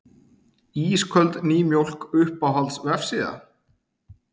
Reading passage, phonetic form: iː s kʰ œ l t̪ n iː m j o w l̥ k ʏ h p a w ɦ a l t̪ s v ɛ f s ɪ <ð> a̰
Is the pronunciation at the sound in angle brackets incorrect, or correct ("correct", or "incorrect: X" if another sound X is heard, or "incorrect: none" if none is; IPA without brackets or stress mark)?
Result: correct